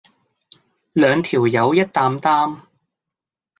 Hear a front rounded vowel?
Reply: yes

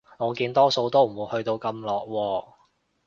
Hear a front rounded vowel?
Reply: no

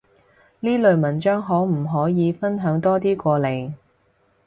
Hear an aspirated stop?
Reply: no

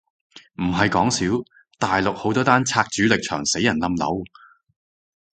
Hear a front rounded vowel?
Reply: yes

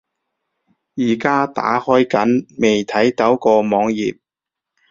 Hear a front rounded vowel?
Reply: no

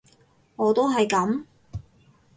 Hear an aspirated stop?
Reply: no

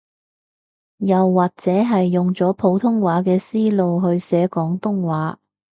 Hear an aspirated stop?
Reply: yes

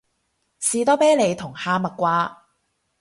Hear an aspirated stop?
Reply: yes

